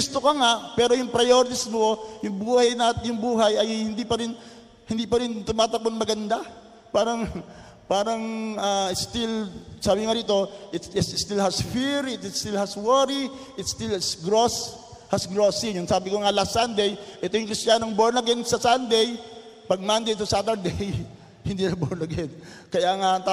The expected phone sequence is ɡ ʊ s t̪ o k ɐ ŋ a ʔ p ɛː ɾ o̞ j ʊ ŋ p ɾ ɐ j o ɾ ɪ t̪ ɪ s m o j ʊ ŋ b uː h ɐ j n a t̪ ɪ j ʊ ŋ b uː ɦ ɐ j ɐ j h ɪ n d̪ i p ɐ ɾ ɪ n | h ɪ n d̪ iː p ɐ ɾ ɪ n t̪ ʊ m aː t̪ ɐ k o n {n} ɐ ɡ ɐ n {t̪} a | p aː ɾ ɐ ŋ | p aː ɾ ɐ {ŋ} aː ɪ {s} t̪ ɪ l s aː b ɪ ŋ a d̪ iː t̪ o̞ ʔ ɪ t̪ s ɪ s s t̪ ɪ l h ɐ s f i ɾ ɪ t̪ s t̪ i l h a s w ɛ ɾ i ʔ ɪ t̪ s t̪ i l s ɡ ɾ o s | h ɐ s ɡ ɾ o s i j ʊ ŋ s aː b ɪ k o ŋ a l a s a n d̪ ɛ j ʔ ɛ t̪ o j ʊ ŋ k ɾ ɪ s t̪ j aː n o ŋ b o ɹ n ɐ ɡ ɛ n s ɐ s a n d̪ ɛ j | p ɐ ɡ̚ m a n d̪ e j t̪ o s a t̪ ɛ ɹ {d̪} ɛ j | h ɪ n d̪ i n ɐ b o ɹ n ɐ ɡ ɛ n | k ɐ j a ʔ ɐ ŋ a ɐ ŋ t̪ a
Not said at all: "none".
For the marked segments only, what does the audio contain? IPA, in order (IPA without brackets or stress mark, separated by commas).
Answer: m, d̪, ŋ, s, d̪